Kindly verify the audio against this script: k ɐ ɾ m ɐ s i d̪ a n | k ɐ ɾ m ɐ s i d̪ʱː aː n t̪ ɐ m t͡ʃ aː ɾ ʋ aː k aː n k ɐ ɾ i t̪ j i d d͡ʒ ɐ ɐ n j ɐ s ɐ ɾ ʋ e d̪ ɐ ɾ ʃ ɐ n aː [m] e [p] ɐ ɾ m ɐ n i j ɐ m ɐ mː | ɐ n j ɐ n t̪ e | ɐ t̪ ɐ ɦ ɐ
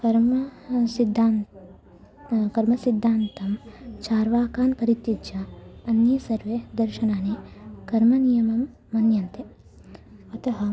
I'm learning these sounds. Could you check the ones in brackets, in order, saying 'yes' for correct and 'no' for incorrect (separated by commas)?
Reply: no, no